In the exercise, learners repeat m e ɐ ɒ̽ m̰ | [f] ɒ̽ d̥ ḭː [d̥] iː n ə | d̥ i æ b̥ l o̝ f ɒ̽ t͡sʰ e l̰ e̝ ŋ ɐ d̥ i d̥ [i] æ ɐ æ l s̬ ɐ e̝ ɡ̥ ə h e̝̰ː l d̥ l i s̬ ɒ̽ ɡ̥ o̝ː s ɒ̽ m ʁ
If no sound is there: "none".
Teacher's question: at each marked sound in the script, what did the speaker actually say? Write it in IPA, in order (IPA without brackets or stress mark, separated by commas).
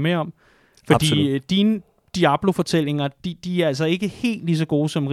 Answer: f, d̥, i